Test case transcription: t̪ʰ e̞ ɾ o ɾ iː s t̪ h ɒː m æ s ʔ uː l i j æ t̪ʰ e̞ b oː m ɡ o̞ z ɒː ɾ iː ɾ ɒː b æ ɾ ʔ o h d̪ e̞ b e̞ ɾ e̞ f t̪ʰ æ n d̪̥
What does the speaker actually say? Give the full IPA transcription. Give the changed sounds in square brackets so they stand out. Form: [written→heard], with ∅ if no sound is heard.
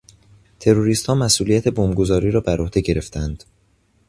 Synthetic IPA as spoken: t̪ʰ e̞ ɾ o ɾ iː s t̪ h ɒː m æ s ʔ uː l i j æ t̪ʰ e̞ b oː m ɡ o̞ z ɒː ɾ iː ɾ ɒː b æ ɾ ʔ o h d̪ e̞ [b→ɟ] e̞ ɾ e̞ f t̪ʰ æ n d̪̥